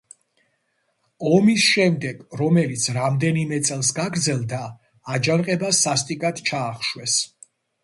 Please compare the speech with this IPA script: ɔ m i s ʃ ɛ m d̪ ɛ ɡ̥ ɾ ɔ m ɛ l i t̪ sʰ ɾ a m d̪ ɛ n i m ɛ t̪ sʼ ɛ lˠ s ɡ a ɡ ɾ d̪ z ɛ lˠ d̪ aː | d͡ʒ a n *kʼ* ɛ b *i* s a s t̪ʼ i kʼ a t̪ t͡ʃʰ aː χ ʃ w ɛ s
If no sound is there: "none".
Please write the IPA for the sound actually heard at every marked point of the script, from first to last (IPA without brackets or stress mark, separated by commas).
qʼ, a